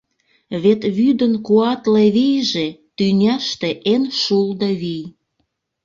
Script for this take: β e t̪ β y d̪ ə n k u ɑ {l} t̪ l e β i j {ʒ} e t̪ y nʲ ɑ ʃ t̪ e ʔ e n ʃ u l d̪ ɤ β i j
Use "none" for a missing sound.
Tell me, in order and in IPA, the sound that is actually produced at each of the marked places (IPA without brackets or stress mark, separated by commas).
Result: none, ʒ